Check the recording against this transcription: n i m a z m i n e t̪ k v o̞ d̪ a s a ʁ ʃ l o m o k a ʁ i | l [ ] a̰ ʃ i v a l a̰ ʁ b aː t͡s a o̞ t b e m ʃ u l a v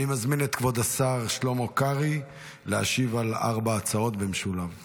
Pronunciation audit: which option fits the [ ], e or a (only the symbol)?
e